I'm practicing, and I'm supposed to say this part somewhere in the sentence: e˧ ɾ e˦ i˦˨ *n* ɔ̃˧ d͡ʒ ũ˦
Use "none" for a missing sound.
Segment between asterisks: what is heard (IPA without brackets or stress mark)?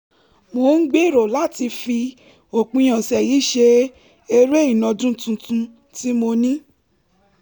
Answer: n